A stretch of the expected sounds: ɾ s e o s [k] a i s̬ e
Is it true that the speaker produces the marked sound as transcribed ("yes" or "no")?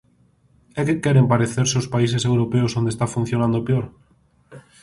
no